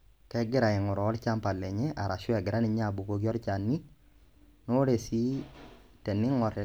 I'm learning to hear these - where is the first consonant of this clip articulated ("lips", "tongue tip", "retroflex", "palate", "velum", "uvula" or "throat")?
velum